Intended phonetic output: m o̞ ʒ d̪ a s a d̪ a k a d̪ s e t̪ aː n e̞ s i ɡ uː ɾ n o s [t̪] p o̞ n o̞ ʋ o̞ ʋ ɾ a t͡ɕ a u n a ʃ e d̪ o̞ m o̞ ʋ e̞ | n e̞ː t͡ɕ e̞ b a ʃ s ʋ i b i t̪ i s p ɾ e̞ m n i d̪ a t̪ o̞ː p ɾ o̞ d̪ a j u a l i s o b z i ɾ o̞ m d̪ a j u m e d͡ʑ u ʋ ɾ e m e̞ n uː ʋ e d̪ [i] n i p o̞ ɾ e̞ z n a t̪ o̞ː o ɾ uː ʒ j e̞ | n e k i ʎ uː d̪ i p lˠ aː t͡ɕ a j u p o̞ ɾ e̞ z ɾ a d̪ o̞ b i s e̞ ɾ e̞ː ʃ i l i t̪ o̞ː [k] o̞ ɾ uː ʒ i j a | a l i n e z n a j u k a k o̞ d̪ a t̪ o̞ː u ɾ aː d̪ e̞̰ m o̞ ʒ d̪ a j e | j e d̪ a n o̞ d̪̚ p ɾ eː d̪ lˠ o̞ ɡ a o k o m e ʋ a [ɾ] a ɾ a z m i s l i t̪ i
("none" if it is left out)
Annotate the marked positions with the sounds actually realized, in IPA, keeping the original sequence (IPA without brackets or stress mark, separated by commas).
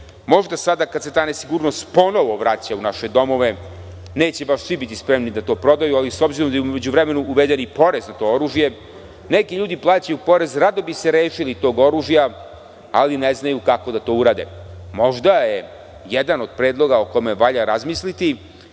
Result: t̪, e, ɡ, ʎ